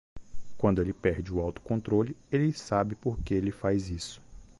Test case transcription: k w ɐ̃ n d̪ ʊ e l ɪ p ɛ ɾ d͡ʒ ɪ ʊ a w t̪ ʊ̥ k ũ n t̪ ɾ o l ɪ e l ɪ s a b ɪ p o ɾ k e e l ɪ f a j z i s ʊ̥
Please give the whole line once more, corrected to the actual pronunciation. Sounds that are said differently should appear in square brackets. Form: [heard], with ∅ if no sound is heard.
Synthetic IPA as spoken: k w ɐ̃ n d̪ ʊ e l ɪ p ɛ ɾ d͡ʒ ɪ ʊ a w t̪ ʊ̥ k [õ] n t̪ ɾ o l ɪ e l ɪ s a b ɪ p o ɾ k e e l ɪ f a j z i s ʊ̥